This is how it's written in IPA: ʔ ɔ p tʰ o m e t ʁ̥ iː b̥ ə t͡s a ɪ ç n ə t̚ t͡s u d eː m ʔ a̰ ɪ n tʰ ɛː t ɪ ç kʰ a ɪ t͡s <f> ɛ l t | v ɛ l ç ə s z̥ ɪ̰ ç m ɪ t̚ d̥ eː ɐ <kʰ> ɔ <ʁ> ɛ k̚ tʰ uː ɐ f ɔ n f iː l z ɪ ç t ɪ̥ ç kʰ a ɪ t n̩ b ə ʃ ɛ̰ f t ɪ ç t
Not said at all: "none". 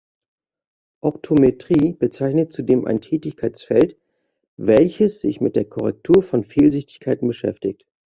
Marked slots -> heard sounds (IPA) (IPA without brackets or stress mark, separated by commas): f, kʰ, ʁ